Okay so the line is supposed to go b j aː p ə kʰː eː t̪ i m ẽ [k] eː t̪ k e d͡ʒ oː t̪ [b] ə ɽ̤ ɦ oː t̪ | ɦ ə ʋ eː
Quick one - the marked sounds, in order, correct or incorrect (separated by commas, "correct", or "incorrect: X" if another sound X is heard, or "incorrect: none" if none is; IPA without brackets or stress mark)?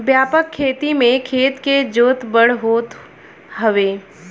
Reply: incorrect: kʰ, correct